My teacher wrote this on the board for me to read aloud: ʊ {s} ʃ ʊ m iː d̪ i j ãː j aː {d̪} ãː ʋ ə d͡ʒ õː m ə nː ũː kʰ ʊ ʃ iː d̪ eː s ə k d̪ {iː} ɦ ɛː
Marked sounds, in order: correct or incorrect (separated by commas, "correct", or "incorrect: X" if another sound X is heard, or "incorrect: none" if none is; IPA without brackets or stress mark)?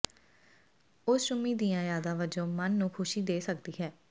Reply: correct, correct, correct